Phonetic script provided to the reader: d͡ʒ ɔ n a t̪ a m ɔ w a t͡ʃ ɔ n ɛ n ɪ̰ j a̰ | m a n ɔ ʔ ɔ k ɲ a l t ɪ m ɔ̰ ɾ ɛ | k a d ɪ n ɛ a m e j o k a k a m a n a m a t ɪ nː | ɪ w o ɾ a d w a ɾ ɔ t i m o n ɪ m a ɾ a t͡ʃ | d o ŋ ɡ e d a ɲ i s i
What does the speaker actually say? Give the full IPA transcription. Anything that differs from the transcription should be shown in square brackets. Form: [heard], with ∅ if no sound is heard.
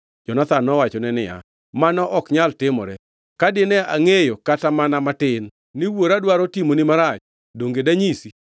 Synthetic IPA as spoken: d͡ʒ ɔ n a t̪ a [n] ɔ w a t͡ʃ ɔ n ɛ n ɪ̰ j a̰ | m a n ɔ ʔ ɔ k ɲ a l t ɪ m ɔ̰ ɾ ɛ | k a d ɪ n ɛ a [ŋ] e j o k a [t] a m a n a m a t ɪ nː | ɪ w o ɾ a d w a ɾ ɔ t i m o n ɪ m a ɾ a t͡ʃ | d o ŋ ɡ e d a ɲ i s i